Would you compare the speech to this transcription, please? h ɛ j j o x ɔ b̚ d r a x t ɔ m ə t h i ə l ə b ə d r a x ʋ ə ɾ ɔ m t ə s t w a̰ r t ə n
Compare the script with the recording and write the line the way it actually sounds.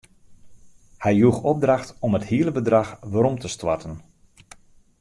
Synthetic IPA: h ɛ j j u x ɔ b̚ d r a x t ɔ m ə t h i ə l ə b ə d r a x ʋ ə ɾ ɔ m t ə s t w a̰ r t ə n